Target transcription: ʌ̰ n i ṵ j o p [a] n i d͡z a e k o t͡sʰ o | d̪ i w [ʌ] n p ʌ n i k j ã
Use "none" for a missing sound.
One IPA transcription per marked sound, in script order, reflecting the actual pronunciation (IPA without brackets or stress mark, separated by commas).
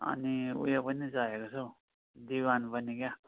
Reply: ʌ, a